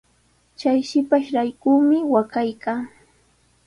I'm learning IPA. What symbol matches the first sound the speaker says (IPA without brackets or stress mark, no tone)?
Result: t͡ʃ